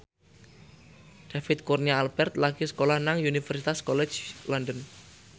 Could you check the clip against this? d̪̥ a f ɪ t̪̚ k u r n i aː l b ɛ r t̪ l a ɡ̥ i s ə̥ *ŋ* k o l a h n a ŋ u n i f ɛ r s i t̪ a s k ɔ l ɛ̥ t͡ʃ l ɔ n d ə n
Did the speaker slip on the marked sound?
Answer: yes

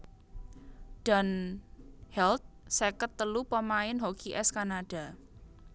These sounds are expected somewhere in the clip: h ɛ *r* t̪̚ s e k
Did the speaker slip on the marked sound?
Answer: yes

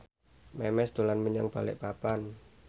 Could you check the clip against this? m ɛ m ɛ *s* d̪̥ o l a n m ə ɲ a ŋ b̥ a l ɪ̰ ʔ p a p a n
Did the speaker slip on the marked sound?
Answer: no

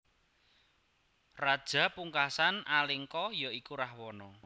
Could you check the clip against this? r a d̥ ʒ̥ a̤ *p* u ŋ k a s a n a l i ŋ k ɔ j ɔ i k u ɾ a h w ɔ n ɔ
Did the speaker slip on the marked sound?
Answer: no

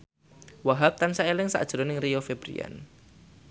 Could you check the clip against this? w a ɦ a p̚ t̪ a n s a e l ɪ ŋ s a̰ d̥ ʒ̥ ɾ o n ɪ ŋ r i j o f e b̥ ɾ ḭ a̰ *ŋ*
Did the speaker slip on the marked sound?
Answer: yes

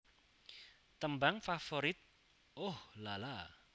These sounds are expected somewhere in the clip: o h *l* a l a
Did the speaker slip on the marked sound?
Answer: no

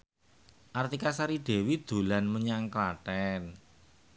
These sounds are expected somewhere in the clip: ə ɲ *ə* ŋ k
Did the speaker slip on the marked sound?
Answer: yes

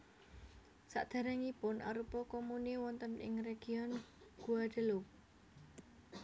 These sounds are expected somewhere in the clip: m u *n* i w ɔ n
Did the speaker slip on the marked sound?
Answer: no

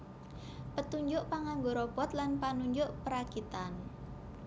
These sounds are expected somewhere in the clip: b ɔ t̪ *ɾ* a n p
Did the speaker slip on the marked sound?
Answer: yes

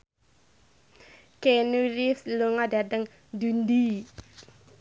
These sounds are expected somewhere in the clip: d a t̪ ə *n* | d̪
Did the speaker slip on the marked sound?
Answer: yes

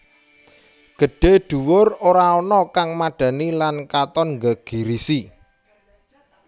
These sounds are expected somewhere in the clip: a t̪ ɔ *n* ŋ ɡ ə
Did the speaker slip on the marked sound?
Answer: no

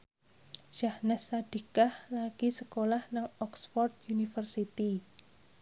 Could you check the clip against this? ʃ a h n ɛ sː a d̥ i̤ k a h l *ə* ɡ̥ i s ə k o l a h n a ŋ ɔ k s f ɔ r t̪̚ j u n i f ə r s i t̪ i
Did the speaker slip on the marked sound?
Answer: yes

